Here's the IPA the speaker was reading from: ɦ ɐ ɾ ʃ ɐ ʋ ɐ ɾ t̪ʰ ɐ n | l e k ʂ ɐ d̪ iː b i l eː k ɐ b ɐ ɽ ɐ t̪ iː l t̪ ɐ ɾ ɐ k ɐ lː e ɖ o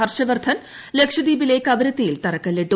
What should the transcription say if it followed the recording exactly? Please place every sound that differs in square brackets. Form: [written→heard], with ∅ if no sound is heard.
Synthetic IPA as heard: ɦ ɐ ɾ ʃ ɐ ʋ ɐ ɾ t̪ʰ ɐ n | l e k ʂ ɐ d̪ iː b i l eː k ɐ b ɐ [ɽ→ɾ] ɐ t̪ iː l t̪ ɐ ɾ ɐ k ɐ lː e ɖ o